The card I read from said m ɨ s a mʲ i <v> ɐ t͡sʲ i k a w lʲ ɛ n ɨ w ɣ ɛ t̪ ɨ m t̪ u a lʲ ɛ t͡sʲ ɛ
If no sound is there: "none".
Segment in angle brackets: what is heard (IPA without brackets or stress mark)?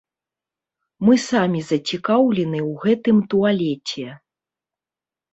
z